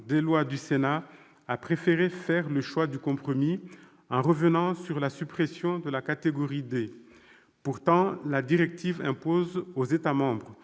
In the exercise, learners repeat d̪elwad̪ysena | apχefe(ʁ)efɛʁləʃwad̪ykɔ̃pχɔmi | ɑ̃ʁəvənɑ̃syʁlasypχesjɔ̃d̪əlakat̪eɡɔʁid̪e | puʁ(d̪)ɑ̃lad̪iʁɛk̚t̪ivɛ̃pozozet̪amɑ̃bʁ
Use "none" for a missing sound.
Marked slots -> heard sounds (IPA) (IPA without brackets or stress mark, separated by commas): ʁ, t̪